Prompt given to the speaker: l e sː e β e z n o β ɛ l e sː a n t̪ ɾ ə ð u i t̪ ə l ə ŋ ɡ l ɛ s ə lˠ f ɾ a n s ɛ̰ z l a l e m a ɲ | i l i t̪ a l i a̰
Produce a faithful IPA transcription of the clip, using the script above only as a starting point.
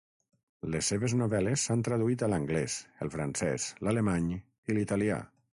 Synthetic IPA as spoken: l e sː e β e z n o β ɛ l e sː a n t̪ ɾ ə ð u i t̪ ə l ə ŋ ɡ l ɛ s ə lˠ f ɾ a n s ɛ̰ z l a l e m a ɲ | i l i t̪ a l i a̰